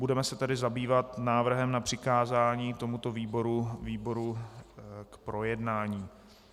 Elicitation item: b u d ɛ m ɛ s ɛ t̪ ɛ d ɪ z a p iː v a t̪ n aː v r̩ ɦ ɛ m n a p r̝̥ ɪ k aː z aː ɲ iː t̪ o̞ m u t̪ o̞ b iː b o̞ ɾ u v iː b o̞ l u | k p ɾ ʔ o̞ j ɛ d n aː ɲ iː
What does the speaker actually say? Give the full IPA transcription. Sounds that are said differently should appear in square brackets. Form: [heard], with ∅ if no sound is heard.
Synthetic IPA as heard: b u d ɛ m ɛ s ɛ t̪ ɛ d ɪ z a [b] iː v a t̪ n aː v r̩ ɦ ɛ m n a p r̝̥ ɪ k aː z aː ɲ iː t̪ o̞ m u t̪ o̞ [v] iː b o̞ ɾ u v iː b o̞ [ɾ] u | k p ɾ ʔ o̞ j ɛ d n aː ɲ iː